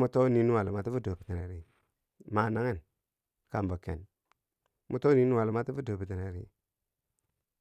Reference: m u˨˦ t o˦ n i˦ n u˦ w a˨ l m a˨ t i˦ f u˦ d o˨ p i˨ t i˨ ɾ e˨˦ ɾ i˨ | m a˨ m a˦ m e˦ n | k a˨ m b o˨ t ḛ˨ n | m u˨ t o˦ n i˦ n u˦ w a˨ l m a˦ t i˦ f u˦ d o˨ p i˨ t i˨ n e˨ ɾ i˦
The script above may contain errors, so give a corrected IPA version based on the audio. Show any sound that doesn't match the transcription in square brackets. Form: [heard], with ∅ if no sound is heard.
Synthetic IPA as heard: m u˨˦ t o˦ n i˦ n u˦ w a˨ l m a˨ t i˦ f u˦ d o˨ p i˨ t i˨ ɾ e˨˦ ɾ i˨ | m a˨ [n] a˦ [ŋ] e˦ n | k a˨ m b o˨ [k] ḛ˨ n | m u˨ t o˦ n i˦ n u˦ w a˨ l m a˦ t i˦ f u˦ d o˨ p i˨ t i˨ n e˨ ɾ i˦